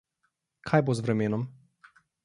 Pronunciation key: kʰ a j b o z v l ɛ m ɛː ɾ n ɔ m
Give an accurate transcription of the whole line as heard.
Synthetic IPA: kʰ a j b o z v ɾ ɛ m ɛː n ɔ m